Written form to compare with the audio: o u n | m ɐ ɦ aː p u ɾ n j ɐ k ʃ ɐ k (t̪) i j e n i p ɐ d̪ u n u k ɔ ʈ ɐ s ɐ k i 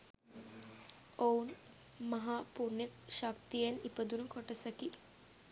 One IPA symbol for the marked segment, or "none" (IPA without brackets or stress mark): t̪